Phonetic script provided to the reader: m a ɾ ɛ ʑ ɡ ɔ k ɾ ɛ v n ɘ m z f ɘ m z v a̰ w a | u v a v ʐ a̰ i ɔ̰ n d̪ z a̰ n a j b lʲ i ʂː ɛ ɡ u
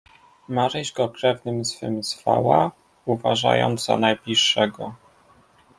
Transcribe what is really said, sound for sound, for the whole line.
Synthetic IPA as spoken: m a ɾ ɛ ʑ ɡ ɔ k ɾ ɛ v n ɘ m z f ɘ m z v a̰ w a | u v a ʐ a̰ j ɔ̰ n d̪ z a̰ n a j b lʲ i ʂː ɛ ɡ ɔ